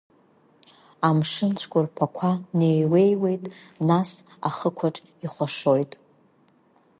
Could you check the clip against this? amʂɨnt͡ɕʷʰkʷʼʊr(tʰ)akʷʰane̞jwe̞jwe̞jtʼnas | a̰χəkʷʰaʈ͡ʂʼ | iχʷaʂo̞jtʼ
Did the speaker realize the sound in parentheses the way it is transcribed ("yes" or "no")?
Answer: no